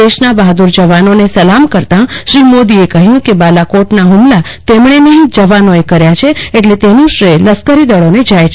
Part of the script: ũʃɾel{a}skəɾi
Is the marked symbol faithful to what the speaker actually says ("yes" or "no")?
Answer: no